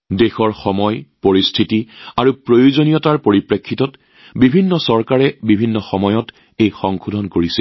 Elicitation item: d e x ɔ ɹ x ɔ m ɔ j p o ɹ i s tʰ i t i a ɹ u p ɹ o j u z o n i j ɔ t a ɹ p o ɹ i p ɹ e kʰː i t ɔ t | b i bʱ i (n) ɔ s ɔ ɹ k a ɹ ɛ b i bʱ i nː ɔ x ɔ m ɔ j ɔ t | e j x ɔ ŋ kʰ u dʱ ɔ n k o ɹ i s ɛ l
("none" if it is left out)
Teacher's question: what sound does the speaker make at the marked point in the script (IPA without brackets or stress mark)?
nː